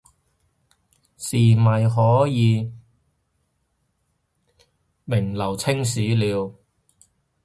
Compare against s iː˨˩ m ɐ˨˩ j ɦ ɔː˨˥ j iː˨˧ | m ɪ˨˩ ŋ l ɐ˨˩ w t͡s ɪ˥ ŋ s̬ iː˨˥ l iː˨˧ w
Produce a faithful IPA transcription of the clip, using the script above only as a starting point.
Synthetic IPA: s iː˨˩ m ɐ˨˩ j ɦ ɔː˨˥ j iː˨˧ | m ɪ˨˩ ŋ l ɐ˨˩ w t͡sʰ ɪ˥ ŋ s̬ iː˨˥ l iː˨˧ w